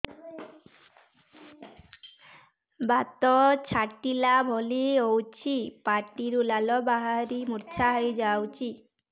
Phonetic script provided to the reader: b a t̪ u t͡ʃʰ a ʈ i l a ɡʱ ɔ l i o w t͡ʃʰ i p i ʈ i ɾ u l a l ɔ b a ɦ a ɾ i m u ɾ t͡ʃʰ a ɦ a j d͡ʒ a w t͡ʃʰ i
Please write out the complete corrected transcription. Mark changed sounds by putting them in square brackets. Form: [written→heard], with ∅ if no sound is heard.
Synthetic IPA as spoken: b a t̪ [u→ɔ] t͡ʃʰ a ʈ i l a [ɡʱ→bʱ] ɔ l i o w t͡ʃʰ i p [i→a] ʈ i ɾ u l a l ɔ b a ɦ a ɾ i m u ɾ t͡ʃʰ a ɦ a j d͡ʒ a w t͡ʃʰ i